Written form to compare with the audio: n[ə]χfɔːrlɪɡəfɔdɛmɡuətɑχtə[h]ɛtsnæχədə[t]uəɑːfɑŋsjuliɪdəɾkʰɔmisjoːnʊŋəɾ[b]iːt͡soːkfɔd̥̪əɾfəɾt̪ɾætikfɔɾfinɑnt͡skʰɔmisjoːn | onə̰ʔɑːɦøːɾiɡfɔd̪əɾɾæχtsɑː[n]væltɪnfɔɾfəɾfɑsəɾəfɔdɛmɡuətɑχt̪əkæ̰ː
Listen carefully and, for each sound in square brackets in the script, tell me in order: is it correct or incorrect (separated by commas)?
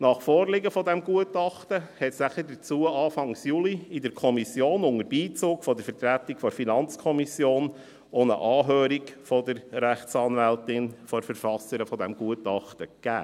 incorrect, correct, incorrect, correct, correct